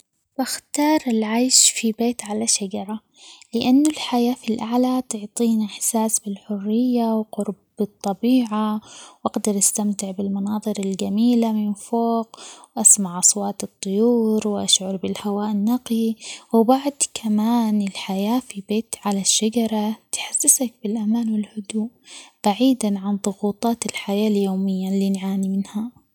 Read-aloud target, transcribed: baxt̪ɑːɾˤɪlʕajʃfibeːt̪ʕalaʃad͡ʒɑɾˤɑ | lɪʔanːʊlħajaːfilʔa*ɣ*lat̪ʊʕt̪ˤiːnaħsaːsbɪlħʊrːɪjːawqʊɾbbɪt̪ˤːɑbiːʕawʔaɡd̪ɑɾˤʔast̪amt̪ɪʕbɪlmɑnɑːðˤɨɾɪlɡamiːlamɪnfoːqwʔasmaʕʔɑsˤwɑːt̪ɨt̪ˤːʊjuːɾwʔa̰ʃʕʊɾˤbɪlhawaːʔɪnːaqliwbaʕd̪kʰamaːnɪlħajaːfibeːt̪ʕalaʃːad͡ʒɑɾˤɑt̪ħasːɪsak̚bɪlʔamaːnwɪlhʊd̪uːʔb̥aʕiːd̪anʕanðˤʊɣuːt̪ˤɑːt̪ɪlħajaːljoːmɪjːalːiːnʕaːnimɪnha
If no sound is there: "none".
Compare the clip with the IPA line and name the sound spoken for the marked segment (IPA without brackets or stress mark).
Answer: ʕ